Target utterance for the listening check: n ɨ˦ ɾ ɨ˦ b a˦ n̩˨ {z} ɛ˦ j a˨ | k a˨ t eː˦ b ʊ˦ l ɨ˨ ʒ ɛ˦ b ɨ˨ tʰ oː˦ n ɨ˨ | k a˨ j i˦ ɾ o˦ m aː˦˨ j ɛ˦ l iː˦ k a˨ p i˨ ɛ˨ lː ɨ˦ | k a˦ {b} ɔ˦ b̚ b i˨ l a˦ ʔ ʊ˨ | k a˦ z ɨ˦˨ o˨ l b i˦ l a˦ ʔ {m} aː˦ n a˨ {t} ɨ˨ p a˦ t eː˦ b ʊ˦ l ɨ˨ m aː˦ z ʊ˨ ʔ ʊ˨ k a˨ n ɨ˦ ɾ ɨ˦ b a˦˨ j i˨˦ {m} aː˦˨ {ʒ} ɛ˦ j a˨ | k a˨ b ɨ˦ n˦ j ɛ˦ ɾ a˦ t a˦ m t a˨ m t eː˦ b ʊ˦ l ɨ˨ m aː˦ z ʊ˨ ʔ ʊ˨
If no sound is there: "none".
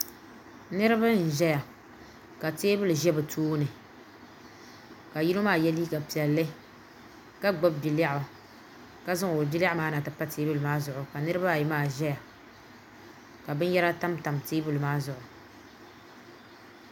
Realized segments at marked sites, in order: ʒ, ɡ͡b, m, t, m, ʒ

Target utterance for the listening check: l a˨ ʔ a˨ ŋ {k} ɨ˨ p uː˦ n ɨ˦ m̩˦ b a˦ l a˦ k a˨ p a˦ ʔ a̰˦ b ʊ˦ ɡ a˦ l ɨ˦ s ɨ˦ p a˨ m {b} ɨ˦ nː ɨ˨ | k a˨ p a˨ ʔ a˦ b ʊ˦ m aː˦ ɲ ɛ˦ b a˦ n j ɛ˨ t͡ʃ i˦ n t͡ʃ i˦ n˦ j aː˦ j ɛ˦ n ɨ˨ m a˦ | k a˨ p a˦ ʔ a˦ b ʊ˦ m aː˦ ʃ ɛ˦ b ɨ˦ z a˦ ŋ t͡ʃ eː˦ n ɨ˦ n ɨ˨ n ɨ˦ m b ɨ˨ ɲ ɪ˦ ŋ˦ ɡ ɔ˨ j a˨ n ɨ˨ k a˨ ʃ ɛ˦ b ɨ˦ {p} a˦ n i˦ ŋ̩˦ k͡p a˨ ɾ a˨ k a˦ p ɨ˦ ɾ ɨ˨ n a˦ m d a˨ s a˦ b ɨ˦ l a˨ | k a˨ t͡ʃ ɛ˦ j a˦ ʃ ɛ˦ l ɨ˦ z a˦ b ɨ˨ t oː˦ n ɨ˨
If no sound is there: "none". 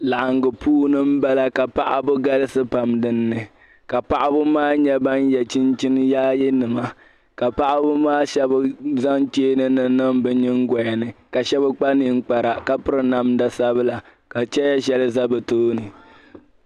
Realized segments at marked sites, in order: ɡ, d, k͡p

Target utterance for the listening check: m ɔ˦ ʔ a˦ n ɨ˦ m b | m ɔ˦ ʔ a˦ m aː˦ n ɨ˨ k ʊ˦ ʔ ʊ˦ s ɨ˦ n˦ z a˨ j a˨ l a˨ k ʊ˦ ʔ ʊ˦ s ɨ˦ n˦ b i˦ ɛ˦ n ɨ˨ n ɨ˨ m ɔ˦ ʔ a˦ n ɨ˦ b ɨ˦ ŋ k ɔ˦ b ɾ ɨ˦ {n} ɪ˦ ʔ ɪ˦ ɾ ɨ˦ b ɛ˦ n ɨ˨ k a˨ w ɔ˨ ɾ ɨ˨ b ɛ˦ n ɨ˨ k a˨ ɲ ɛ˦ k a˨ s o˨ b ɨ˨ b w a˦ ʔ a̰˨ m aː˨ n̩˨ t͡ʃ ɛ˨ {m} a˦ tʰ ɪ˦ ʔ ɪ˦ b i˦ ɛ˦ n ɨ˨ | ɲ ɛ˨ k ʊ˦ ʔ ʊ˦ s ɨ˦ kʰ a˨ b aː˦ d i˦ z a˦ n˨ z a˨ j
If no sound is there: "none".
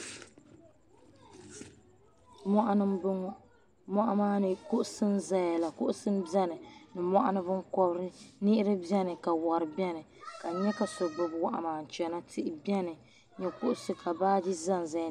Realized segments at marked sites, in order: n, n

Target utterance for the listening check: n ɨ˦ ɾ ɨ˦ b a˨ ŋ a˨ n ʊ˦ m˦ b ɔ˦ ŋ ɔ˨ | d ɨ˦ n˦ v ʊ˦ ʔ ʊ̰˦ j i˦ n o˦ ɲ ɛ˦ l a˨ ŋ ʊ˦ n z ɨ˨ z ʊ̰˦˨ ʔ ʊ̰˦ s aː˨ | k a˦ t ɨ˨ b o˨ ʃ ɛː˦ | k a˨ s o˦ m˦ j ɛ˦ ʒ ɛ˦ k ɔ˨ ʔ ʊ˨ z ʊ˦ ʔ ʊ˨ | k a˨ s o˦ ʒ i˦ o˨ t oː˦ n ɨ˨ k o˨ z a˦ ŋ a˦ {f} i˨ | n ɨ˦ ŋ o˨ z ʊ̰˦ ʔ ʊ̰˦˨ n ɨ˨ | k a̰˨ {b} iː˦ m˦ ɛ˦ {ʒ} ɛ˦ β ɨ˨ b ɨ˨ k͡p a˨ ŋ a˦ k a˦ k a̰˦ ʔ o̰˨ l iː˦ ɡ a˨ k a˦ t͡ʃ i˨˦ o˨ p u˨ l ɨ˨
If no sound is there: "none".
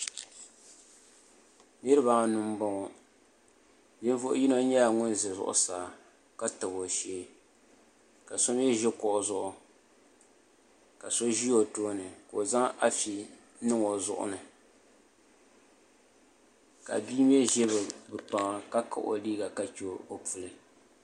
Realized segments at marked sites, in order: f, b, ʒ

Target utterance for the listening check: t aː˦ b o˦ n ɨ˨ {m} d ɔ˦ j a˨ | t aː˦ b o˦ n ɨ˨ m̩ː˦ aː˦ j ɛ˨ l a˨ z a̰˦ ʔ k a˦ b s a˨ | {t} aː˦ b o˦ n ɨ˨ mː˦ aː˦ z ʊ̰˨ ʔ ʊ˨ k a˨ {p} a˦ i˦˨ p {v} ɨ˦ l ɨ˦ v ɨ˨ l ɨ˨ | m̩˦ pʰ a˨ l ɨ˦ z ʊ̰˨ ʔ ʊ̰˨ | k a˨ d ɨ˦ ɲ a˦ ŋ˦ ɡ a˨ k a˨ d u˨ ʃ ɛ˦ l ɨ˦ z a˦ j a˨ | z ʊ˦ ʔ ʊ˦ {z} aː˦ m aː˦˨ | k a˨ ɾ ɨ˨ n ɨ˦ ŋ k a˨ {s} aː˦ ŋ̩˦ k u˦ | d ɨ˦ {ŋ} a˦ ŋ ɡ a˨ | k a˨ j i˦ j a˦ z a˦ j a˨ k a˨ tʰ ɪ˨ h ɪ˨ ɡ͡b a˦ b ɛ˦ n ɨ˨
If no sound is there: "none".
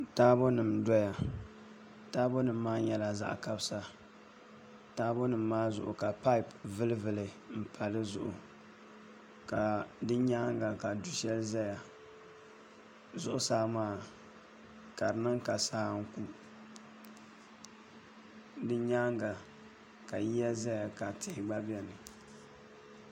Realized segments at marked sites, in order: m, t, p, v, s, s, ɲ

